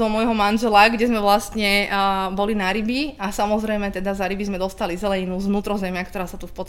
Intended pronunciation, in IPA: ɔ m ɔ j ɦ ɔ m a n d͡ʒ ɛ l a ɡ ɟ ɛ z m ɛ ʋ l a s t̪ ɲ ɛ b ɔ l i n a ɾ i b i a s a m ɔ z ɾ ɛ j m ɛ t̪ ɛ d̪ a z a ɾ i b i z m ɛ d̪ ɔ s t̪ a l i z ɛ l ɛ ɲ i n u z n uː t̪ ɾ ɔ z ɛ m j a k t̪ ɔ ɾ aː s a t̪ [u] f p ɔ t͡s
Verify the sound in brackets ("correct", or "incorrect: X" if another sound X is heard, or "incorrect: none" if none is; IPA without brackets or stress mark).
correct